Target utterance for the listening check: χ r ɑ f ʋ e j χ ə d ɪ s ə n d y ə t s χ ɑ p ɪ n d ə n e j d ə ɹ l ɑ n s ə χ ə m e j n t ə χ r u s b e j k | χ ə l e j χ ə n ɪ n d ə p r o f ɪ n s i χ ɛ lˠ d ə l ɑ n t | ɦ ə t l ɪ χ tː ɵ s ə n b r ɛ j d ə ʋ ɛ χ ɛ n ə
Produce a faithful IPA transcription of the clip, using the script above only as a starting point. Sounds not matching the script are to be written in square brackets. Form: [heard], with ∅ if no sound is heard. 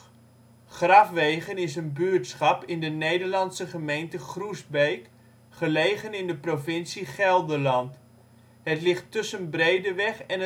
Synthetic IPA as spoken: χ r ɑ f ʋ e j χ ə [n] ɪ s ə n [b] y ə t s χ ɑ p ɪ n d ə n e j d ə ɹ l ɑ n s ə χ ə m e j n t ə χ r u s b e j k | χ ə l e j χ ə n ɪ n d ə p r o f ɪ n s i χ ɛ lˠ d ə l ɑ n t | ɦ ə t l ɪ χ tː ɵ s ə n b r [e] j d ə ʋ ɛ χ ɛ n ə